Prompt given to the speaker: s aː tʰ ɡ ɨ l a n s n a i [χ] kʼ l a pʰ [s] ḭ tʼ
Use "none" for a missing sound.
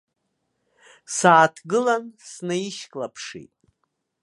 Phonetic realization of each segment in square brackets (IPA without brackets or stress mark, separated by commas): ʃ, ʂ